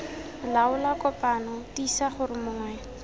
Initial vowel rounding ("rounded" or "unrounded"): unrounded